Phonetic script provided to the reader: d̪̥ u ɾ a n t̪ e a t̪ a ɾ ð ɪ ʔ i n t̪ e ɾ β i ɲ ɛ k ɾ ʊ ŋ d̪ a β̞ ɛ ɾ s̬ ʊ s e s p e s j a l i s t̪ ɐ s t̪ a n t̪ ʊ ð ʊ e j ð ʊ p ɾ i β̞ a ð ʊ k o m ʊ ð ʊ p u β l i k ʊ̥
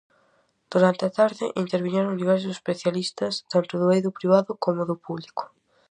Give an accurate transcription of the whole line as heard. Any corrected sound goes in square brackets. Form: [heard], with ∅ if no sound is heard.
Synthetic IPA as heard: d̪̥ u ɾ a n t̪ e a t̪ a ɾ ð ɪ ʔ i n t̪ e ɾ β i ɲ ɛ [∅] ɾ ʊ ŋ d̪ [i] β̞ ɛ ɾ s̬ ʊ s e s p e [θ] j a l i s t̪ ɐ s t̪ a n t̪ ʊ ð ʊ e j ð ʊ p ɾ i β̞ a ð ʊ k o m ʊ ð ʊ p u β l i k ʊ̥